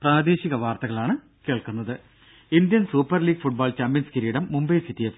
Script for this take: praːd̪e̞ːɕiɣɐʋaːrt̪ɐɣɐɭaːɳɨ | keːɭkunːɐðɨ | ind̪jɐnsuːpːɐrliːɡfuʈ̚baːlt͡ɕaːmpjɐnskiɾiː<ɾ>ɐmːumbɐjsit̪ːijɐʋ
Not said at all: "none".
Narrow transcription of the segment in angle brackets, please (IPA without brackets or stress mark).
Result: ɽ